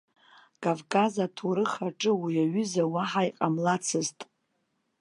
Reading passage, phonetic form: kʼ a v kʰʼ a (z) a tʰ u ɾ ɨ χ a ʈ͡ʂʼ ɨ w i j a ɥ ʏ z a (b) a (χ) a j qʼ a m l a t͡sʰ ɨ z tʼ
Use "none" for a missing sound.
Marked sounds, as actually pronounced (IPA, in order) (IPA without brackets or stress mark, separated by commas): z, w, ħ